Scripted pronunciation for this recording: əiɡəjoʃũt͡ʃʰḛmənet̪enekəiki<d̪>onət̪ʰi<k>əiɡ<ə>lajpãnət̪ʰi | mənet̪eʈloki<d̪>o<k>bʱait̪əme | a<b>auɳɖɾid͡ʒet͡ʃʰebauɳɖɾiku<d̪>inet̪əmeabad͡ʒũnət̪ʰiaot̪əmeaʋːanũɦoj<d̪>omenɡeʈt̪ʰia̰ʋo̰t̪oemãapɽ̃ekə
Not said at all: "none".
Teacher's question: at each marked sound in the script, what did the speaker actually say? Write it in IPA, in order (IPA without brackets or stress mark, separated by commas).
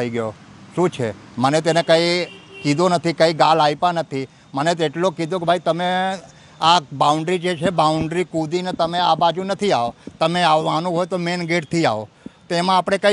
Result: d̪, k, a, d̪, k, b, d̪, t̪